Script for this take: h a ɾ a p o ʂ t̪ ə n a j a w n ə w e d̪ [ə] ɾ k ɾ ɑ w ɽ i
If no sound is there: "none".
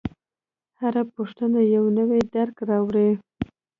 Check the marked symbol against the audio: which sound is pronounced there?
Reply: a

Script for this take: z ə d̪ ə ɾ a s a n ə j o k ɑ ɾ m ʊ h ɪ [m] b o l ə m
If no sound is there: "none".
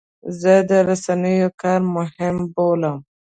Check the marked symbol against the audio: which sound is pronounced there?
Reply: m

